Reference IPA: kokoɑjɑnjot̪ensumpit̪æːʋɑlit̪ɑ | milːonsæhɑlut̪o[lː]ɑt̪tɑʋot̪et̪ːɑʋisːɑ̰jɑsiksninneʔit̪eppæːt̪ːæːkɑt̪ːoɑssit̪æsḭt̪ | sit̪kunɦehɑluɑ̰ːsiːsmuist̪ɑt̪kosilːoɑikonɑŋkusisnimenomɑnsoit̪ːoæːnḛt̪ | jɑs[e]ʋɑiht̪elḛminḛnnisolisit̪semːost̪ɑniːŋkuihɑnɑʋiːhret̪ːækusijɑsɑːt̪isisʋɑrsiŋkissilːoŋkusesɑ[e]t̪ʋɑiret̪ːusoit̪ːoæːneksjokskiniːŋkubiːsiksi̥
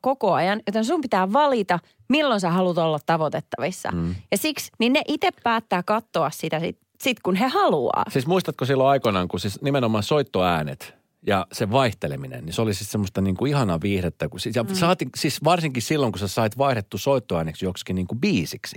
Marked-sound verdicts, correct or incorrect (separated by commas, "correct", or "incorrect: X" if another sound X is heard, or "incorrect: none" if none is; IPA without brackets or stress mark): correct, correct, incorrect: i